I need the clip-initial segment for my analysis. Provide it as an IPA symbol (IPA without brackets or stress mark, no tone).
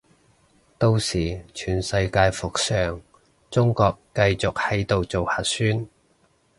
t̪